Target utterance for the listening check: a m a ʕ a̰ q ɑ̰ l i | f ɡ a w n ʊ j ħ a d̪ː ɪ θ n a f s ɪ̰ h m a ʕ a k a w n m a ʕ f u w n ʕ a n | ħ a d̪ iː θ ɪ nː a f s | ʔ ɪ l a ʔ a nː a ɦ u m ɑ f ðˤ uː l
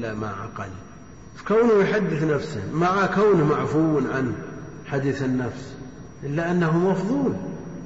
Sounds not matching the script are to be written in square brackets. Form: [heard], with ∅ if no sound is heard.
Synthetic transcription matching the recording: a m a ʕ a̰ q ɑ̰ l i | f [k] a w n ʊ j ħ a d̪ː ɪ θ n a f s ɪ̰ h m a ʕ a k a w n m a ʕ f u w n ʕ a n | ħ a d̪ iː θ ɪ nː a f s | ʔ ɪ [lː] a ʔ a nː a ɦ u m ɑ f ðˤ uː l